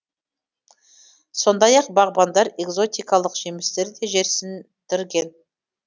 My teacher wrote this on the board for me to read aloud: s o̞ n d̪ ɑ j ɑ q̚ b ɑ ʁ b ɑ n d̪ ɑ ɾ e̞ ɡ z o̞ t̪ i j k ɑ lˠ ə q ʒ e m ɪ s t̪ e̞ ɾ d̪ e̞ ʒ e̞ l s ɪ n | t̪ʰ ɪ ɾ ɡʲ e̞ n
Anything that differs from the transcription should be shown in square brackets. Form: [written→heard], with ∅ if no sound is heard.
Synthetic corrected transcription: s o̞ n d̪ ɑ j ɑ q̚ b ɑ ʁ b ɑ n d̪ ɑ ɾ e̞ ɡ z o̞ t̪ i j k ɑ lˠ ə q ʒ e m ɪ s t̪ e̞ ɾ d̪ e̞ ʒ e̞ [l→ɾ] s ɪ n | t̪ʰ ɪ ɾ ɡʲ e̞ n